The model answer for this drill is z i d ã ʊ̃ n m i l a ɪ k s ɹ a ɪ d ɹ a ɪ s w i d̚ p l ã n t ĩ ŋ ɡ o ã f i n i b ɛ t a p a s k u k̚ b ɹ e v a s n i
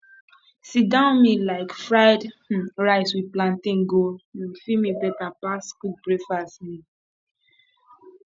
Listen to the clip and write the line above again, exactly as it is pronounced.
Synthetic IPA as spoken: s i d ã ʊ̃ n m i l a ɪ k f ɹ a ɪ d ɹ a ɪ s w i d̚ p l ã n t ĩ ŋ ɡ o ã f i m i b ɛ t a p a s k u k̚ b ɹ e f a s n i